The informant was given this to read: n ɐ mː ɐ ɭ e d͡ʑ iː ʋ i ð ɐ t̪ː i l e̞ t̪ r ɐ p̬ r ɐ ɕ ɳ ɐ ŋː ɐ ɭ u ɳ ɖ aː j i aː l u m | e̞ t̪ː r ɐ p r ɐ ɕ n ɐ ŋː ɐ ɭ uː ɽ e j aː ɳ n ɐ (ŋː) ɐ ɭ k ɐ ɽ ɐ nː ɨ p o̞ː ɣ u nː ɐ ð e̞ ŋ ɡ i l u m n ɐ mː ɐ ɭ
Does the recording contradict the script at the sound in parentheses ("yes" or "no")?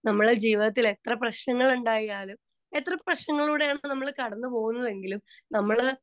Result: yes